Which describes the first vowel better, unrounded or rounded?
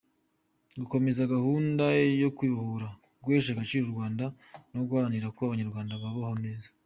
rounded